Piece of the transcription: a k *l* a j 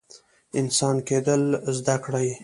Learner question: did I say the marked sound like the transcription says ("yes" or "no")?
no